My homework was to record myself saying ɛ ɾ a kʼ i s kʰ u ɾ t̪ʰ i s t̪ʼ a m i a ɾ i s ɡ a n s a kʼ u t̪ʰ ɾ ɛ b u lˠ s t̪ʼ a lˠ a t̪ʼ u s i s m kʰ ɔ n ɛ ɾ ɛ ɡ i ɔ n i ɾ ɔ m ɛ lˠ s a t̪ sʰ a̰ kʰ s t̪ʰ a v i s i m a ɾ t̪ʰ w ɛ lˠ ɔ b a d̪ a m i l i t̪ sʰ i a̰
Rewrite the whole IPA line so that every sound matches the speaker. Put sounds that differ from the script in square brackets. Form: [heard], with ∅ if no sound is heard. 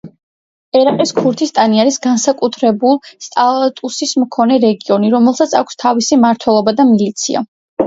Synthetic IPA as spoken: ɛ ɾ a [qʼ] i s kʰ u ɾ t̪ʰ i s t̪ʼ a [n] i a ɾ i s ɡ a n s a kʼ u t̪ʰ ɾ ɛ b u lˠ s t̪ʼ a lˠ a t̪ʼ u s i s m kʰ ɔ n ɛ ɾ ɛ ɡ i ɔ n i ɾ ɔ m ɛ lˠ s a t̪ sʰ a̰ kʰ s t̪ʰ a v i s i m a ɾ t̪ʰ w ɛ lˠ ɔ b a d̪ a m i l i t̪ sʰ i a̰